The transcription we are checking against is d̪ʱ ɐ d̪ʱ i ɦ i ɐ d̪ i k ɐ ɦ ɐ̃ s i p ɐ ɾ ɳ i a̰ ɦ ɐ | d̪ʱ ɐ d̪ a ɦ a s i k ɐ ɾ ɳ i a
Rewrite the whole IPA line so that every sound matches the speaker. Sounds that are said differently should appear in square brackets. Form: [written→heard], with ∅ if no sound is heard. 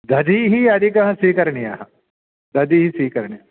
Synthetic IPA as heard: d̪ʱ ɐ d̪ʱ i ɦ i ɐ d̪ i k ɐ ɦ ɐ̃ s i [p→k] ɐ ɾ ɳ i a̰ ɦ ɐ | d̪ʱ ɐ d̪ [a→i] ɦ [a→i] s i k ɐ ɾ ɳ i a